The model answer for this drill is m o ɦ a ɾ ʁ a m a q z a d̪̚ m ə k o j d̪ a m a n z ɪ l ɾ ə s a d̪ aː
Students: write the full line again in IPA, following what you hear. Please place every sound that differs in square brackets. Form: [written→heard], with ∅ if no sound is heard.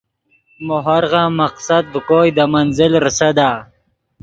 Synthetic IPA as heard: m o ɦ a ɾ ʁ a m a q [z→s] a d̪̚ [m→b] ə k o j d̪ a m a n z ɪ l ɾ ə s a d̪ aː